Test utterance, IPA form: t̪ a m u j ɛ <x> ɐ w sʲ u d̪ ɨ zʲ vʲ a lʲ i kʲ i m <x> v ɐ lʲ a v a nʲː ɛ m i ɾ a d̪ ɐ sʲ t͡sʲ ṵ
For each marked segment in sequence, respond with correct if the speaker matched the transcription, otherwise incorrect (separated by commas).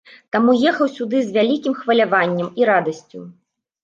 correct, correct